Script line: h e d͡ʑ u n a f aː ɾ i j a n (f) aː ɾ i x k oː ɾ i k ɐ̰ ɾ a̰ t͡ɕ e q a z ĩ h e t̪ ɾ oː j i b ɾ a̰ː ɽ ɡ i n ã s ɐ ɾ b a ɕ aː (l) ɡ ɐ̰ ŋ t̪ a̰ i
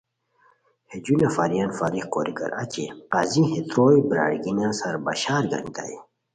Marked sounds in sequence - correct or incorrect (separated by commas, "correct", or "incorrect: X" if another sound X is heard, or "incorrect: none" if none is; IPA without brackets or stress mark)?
correct, incorrect: ɾ